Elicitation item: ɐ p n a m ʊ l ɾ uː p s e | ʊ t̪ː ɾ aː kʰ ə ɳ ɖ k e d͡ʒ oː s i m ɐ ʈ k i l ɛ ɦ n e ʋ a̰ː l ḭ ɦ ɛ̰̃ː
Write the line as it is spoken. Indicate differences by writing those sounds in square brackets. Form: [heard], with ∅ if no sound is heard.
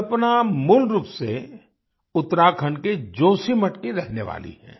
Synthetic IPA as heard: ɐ p n a m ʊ l ɾ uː p s e | ʊ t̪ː ɾ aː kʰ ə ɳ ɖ k e d͡ʒ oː s i m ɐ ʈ k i [ɾ] ɛ ɦ n e ʋ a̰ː l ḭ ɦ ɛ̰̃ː